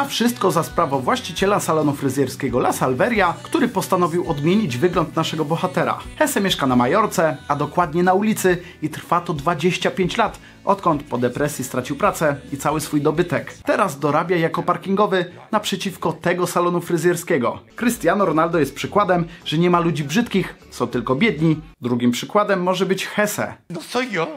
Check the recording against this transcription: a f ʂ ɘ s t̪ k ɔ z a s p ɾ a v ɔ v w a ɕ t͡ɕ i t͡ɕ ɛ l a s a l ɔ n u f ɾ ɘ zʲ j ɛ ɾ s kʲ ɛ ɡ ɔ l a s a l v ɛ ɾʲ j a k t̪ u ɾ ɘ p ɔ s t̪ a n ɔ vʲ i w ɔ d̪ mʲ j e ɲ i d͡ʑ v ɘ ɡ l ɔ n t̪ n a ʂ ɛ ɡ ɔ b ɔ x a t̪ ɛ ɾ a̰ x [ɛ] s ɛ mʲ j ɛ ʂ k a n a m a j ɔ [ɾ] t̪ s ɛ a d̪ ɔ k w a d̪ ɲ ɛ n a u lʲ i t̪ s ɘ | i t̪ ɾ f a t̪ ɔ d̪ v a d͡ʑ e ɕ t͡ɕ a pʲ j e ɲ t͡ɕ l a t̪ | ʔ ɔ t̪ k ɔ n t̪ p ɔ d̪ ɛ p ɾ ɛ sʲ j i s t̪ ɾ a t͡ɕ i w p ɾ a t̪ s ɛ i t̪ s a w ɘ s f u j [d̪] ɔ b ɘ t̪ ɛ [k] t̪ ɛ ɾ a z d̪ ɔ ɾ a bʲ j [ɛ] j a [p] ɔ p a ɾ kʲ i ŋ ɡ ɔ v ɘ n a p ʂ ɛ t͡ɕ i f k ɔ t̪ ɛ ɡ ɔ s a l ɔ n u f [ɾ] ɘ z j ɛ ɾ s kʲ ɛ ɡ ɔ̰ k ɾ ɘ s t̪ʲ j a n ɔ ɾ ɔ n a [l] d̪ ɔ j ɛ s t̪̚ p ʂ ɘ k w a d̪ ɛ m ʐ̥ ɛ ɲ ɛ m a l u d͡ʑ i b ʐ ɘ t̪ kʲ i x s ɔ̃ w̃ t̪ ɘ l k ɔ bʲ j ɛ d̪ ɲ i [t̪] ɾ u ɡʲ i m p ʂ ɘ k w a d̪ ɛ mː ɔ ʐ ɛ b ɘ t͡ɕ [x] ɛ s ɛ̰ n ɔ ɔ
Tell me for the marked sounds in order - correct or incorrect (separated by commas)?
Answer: correct, correct, correct, correct, incorrect, incorrect, correct, correct, incorrect, correct